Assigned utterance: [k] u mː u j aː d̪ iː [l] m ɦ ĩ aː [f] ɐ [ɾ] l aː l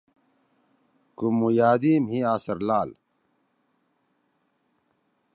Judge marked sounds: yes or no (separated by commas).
yes, no, no, yes